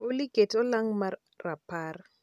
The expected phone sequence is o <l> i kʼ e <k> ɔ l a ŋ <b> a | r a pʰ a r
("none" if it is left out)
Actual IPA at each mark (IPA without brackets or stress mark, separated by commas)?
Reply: l, t, m